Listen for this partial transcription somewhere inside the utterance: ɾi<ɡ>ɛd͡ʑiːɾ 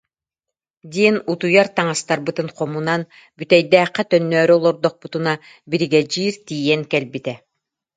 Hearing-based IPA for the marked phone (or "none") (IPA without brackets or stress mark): ɡ